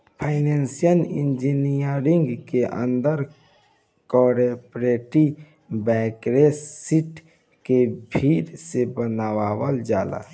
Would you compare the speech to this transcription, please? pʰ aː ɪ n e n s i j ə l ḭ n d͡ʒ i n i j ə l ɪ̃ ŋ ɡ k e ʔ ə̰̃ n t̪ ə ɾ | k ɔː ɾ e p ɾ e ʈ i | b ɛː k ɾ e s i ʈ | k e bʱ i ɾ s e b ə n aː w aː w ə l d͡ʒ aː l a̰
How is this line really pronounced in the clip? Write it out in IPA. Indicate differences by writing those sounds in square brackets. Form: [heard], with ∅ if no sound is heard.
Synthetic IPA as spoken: pʰ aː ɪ n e n s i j ə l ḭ n d͡ʒ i n i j ə [ɾ] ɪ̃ ŋ ɡ k e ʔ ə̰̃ n [d̪] ə ɾ | k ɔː ɾ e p ɾ e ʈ i | b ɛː k ɾ e s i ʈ | k e bʱ i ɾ s e b ə n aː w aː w ə l d͡ʒ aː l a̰